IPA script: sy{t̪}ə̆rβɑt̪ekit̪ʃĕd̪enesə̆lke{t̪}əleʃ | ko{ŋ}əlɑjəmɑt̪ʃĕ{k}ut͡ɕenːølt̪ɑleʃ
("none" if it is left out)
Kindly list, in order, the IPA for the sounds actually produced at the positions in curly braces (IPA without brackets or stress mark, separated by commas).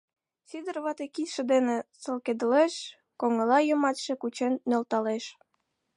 d̪, d̪, ŋ, k